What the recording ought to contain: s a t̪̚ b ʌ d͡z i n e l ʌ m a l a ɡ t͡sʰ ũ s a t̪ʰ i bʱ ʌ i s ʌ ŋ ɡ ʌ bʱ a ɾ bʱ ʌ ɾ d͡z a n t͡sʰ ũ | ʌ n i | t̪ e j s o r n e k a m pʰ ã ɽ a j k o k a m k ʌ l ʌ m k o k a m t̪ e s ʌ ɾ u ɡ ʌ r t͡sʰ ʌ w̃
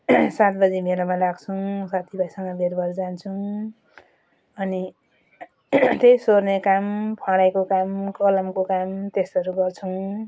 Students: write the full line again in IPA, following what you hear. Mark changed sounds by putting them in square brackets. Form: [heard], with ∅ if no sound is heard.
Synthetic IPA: s a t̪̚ b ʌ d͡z i [m] e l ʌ m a l a ɡ t͡sʰ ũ s a t̪ʰ i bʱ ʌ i s ʌ ŋ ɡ ʌ bʱ [e] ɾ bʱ ʌ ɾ d͡z a n t͡sʰ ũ | ʌ n i | t̪ e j s o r n e k a m pʰ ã ɽ a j k o k a m k ʌ l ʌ m k o k a m t̪ e s ʌ ɾ u ɡ ʌ r t͡sʰ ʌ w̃